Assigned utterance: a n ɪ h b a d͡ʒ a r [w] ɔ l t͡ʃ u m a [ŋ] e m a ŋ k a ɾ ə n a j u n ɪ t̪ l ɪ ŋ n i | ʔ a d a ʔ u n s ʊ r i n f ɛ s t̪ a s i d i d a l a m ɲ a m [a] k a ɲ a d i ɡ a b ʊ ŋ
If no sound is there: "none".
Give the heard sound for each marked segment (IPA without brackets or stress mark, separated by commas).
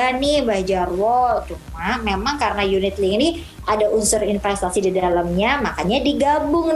w, m, a